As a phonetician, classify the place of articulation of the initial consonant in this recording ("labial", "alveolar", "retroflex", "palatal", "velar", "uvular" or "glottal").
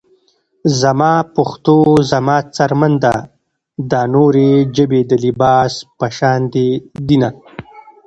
alveolar